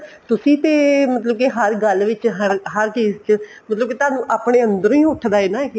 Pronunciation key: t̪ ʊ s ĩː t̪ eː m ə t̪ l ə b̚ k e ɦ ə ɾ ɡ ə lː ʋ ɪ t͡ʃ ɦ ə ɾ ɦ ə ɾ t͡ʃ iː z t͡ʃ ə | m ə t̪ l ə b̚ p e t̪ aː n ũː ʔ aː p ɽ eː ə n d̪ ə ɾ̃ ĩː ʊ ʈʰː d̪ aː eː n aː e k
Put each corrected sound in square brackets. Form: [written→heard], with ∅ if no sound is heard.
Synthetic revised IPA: t̪ ʊ s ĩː t̪ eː m ə t̪ l ə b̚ k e ɦ ə ɾ ɡ ə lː ʋ ɪ t͡ʃ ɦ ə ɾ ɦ ə ɾ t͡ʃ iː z t͡ʃ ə | m ə t̪ l ə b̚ [p→k] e t̪ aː n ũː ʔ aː p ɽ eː ə n d̪ ə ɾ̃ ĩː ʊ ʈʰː d̪ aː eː n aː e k